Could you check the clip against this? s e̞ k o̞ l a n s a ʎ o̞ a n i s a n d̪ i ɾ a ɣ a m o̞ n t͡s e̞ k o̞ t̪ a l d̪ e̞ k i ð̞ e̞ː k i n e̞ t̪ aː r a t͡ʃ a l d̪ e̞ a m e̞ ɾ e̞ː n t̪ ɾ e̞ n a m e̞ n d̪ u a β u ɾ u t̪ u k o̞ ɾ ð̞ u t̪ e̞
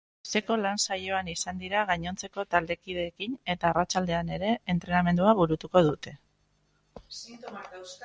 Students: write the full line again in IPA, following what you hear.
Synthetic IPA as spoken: s e̞ k o̞ l a n s a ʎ o̞ a n i s a n d̪ i ɾ a ɣ a ɲ o̞ n t͡s e̞ k o̞ t̪ a l d̪ e̞ k i ð̞ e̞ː k i n e̞ t̪ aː r a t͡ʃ a l d̪ e̞ a n e̞ ɾ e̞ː n t̪ ɾ e̞ n a m e̞ n d̪ u a β u ɾ u t̪ u k o̞ ð̞ u t̪ e̞